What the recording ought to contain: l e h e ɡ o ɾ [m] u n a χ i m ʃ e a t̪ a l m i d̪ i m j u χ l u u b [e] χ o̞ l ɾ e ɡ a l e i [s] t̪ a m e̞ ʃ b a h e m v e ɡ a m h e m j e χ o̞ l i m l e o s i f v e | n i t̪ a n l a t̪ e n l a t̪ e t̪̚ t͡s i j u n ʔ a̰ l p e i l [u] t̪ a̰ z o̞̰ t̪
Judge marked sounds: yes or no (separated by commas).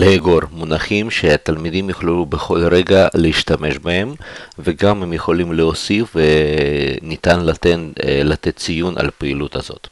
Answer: yes, yes, no, yes